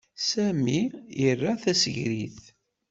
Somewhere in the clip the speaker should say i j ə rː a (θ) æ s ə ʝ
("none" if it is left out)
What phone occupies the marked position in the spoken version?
θ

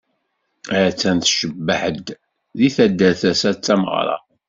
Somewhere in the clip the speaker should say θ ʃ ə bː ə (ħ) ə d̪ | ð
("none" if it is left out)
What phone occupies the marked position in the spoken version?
ħ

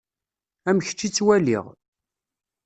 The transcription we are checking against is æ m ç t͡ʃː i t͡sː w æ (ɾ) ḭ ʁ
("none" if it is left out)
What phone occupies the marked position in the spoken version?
l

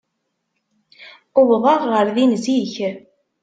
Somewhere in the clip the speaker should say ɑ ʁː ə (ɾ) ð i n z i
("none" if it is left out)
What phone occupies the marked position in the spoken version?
ɾ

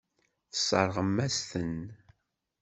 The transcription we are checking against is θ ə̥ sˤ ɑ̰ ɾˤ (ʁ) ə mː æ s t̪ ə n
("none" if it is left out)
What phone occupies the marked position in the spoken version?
ʁ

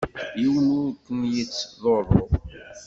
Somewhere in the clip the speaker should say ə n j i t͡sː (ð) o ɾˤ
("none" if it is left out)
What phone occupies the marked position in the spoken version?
ð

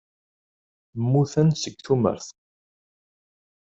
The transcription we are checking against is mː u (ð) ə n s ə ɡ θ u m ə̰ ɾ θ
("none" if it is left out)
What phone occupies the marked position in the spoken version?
θ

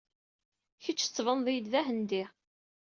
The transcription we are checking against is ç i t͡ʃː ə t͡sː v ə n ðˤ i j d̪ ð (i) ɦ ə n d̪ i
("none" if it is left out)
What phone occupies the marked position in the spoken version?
æ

